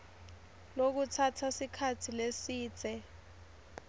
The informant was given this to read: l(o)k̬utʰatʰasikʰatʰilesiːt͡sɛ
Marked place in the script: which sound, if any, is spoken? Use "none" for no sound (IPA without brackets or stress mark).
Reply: o